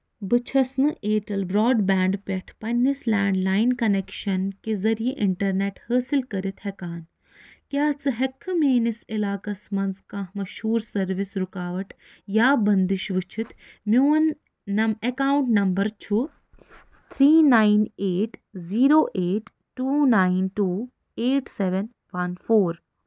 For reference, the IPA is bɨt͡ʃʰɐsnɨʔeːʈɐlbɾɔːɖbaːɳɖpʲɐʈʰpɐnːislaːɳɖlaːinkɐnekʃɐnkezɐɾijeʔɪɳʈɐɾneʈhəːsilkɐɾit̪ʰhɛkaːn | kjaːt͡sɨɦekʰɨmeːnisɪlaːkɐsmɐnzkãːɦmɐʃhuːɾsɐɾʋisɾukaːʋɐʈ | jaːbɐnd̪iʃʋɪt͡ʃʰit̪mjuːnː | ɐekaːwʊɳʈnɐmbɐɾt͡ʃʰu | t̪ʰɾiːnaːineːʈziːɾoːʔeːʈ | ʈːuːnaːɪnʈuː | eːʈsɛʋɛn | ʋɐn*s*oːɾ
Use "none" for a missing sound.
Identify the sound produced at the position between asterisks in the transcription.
f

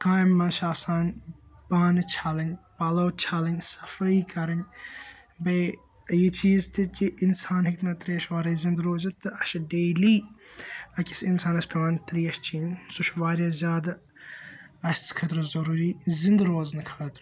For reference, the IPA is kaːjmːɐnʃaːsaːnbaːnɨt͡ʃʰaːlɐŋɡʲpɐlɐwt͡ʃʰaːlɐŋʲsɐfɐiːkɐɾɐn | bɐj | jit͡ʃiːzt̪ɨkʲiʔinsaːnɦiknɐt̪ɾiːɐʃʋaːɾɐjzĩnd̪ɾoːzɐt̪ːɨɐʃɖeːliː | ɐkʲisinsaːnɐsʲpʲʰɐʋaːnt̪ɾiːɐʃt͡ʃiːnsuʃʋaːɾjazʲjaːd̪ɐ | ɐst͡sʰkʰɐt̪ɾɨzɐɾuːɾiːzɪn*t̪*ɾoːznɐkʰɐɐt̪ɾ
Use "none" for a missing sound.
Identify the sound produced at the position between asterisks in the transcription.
d̪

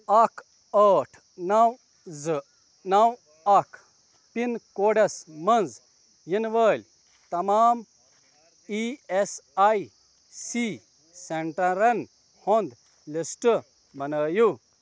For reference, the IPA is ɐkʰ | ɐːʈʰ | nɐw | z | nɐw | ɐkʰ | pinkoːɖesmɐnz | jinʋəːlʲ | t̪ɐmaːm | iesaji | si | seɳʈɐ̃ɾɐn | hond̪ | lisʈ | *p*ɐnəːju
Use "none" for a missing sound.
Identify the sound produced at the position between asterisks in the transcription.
b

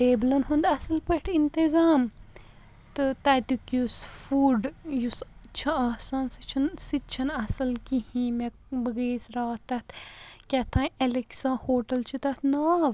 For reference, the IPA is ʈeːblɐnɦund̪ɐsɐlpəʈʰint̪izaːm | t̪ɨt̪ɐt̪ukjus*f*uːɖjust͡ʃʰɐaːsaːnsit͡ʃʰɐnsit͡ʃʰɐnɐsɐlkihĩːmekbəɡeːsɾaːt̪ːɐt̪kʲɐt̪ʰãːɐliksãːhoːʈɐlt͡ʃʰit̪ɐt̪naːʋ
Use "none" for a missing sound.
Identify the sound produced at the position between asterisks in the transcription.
f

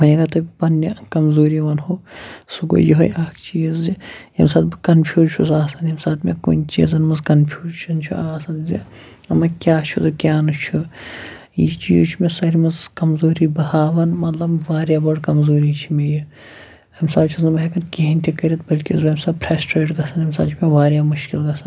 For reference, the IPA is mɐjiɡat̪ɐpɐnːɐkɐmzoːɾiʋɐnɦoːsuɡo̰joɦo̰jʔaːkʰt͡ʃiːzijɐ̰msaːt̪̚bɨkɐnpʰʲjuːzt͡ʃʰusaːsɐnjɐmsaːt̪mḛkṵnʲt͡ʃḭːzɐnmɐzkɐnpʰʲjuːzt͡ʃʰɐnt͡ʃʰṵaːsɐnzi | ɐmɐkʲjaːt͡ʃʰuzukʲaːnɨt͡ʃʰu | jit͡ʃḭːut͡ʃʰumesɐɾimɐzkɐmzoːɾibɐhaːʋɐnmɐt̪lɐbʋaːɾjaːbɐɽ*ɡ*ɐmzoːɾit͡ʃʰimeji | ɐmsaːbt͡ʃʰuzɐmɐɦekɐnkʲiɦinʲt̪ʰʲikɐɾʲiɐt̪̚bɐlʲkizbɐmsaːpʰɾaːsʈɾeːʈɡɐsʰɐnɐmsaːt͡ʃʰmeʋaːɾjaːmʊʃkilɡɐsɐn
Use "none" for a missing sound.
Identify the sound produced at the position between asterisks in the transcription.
k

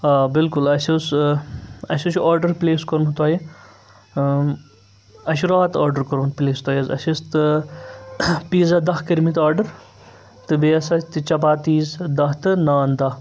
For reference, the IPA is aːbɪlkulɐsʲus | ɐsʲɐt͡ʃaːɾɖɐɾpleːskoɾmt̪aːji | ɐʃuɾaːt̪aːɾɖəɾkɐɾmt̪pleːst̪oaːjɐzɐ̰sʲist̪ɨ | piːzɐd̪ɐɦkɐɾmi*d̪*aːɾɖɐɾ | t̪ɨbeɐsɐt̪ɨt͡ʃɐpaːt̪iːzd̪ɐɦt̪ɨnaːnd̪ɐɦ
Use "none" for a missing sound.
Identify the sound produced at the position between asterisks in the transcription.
t̪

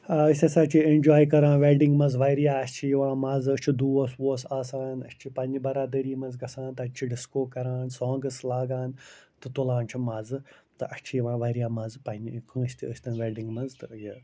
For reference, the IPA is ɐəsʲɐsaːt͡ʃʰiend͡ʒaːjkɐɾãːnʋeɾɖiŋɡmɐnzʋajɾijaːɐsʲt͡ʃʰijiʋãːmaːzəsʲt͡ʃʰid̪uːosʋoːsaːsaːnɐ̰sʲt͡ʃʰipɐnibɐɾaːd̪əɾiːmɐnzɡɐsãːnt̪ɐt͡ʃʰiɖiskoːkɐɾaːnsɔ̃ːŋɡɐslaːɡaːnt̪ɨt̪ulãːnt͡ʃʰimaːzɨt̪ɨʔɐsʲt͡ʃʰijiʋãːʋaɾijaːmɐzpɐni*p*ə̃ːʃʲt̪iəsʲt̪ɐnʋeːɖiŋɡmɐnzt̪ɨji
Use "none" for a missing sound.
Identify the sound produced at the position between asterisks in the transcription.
k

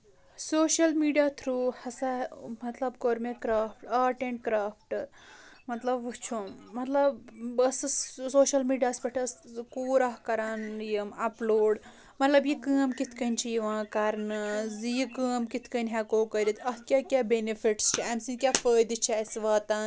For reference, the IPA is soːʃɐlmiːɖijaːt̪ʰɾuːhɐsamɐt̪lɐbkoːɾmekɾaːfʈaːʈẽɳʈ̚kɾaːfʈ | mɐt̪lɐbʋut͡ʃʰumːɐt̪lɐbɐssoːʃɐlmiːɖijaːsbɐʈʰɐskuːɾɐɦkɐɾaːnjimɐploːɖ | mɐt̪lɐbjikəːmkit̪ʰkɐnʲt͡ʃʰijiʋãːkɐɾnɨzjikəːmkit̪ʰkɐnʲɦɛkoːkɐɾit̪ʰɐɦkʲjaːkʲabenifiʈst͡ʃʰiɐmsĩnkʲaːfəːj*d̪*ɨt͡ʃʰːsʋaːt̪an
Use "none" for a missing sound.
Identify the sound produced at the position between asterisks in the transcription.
d̪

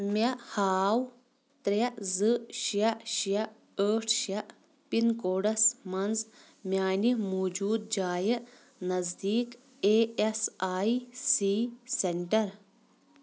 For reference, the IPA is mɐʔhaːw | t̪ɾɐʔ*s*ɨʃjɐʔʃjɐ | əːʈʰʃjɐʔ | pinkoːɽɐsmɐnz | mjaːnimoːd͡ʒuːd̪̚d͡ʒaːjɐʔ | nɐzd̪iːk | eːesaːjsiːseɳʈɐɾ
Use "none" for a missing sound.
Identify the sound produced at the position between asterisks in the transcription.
z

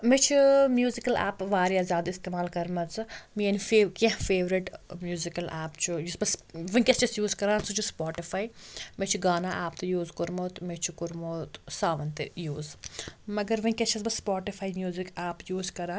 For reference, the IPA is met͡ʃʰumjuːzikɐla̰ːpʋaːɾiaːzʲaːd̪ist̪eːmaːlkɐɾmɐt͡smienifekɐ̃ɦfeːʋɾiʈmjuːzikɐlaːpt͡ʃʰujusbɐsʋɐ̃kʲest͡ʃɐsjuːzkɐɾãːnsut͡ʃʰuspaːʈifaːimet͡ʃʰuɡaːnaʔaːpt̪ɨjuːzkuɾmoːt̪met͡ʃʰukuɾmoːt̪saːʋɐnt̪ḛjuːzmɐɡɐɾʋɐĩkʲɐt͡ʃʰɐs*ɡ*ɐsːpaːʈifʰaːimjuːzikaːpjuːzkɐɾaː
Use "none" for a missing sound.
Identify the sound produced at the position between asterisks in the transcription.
b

